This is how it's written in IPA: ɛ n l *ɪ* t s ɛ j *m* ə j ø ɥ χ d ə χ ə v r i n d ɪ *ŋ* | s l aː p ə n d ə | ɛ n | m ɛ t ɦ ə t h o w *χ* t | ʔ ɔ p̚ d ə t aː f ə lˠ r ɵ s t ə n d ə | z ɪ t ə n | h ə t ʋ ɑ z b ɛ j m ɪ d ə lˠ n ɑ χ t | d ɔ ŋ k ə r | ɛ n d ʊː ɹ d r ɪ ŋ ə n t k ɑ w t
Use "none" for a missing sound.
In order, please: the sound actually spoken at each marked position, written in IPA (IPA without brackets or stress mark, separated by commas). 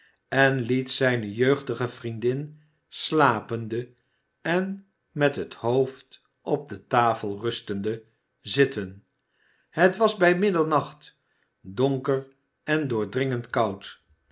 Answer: i, n, n, f